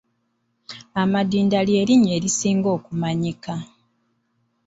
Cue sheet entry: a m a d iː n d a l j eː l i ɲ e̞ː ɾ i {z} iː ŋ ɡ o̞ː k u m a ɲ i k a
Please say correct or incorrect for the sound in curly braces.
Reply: incorrect